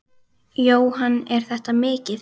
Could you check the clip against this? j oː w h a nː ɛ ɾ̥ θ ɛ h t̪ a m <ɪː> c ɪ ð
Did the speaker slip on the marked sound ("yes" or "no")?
no